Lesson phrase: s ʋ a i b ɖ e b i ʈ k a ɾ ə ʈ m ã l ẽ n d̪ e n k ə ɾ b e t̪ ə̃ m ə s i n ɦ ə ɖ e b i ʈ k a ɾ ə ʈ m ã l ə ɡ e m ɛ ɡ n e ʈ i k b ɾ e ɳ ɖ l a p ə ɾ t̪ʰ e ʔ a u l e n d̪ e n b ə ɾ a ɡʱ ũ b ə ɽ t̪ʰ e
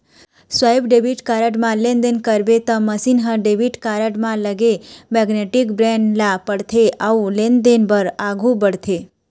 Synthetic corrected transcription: s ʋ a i b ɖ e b i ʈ k a ɾ ə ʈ m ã l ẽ n d̪ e n k ə ɾ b e t̪ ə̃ m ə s i n ɦ ə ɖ e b i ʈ k a ɾ ə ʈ m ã l ə ɡ e m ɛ ɡ n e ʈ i k b ɾ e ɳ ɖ l a p ə ɽ t̪ʰ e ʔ a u l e n d̪ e n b ə ɾ a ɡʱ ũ b ə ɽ t̪ʰ e